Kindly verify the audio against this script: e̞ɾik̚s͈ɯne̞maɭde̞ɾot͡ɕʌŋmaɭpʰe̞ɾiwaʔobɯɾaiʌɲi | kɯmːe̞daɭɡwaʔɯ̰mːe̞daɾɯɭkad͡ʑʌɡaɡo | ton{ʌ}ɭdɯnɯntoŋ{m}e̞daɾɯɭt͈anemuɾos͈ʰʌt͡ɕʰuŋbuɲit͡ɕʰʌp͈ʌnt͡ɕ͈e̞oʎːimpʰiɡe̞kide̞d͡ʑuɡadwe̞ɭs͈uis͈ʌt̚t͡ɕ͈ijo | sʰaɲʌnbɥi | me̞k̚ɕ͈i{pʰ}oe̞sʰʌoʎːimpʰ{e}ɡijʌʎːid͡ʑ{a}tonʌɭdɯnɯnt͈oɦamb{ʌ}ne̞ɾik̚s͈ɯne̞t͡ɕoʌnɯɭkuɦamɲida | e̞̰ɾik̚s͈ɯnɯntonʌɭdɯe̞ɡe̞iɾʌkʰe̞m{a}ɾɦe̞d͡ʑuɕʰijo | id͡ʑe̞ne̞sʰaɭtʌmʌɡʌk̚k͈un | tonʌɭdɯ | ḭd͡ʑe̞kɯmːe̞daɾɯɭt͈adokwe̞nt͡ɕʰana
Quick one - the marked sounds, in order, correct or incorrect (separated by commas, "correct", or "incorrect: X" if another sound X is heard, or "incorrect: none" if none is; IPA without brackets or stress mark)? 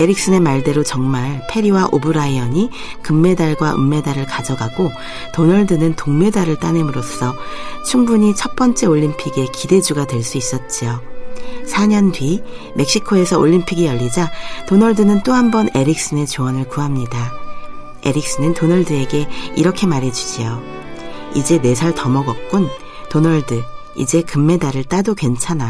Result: correct, correct, incorrect: kʰ, incorrect: i, correct, correct, correct